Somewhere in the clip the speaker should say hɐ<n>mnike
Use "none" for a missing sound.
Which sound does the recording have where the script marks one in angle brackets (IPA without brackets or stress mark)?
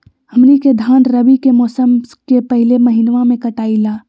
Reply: none